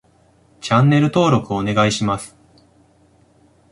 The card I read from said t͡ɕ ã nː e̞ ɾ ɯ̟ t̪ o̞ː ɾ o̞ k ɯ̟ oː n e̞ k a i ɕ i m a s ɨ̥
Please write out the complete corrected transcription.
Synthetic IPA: t͡ɕ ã nː e̞ ɾ ɯ̟ t̪ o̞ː ɾ o̞ k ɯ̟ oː n e̞ ɡ a i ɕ i m a s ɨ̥